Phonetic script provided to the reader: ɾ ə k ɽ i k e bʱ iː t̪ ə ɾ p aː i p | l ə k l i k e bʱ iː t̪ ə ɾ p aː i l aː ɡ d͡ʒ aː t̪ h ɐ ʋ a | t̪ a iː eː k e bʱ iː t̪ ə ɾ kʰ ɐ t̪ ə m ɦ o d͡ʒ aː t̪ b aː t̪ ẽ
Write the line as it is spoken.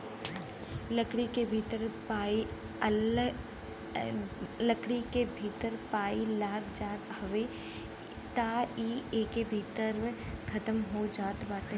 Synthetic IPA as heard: l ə k ɽ i k e bʱ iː t̪ ə ɾ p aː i | l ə k ɽ i k e bʱ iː t̪ ə ɾ p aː i l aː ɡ d͡ʒ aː t̪ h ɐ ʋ e | t̪ a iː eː k e bʱ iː t̪ ə ɾ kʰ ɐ t̪ ə m ɦ o d͡ʒ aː t̪ b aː t̪ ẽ